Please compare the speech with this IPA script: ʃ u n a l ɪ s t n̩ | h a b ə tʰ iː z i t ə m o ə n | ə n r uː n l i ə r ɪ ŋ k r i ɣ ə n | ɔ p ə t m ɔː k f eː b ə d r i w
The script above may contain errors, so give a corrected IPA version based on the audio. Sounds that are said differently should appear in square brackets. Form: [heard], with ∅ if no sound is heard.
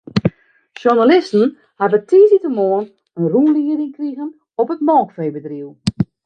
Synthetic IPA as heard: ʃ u n a l ɪ s t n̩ | h a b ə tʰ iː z i t ə m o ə n | ə n r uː n l i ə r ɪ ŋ k r i ɣ ə n | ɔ p ə t m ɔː k f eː b ə d r i w

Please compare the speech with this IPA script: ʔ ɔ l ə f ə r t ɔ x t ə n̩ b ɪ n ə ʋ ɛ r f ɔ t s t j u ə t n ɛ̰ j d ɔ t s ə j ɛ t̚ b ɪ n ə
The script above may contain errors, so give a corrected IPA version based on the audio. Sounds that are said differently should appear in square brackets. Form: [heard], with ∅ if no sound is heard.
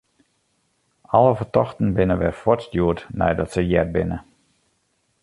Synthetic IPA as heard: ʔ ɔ l ə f ə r t ɔ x t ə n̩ b ɪ n ə ʋ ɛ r f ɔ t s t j u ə t n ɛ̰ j d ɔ t s ə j ɛ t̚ b ɪ n ə

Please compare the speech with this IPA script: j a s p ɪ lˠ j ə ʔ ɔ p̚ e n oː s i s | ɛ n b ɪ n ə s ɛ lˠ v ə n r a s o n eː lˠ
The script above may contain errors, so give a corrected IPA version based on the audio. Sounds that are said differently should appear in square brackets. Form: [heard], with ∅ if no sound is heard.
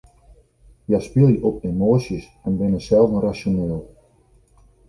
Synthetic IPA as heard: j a s p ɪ lˠ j ə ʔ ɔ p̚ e [m] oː s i s | ɛ n b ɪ n ə s ɛ lˠ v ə n r a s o n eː lˠ

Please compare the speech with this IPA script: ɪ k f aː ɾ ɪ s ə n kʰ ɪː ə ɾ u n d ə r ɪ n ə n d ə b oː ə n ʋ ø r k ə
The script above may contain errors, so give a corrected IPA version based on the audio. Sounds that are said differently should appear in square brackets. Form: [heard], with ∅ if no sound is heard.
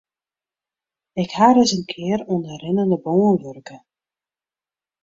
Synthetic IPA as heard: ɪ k [h] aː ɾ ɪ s ə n kʰ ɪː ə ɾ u n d ə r ɪ n ə n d ə b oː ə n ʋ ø r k ə

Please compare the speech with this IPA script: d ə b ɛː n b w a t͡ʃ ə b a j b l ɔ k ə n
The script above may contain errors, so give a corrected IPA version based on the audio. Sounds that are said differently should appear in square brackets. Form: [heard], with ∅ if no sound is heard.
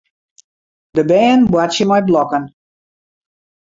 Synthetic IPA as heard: d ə b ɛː n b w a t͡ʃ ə [m] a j b l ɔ k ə n

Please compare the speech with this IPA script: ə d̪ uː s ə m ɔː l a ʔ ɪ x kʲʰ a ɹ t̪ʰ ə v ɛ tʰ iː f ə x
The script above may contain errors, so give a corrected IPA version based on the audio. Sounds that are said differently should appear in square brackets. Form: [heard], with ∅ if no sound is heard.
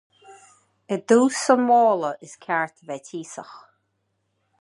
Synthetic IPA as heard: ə d̪ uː s ə m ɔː l [ə] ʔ ɪ [s] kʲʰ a ɹ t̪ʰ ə v ɛ tʰ iː [s] ə x

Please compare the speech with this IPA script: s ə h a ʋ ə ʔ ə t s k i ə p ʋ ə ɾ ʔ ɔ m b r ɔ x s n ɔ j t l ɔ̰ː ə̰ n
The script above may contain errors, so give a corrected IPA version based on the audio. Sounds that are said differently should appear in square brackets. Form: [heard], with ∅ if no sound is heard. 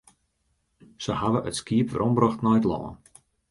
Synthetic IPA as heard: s ə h a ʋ ə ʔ ə t s k i ə p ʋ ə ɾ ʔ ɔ m b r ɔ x [t] n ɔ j t l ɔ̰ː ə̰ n

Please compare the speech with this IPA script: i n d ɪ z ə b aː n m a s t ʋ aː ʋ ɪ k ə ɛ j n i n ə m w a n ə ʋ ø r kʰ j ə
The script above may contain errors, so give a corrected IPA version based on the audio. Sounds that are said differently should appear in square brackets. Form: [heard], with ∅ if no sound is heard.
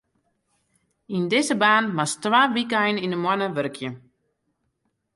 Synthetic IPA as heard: i n d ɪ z ə b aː n m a s t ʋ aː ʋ [i] k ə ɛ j n i n ə m w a n ə ʋ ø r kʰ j ə

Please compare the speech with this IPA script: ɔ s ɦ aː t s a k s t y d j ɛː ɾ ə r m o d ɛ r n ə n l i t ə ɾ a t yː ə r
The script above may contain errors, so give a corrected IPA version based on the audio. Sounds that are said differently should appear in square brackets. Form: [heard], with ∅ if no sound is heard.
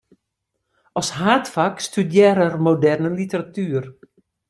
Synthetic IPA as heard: ɔ s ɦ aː t [f] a k s t y d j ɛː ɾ ə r m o d ɛ r n ə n l i t ə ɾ a t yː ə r

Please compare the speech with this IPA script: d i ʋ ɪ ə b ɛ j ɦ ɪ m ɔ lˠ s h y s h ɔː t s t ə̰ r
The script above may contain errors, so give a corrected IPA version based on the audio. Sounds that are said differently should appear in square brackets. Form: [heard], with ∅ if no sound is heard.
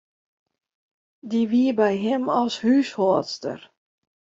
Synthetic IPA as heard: d i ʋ [i] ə b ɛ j ɦ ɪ m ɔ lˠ s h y s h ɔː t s t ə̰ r

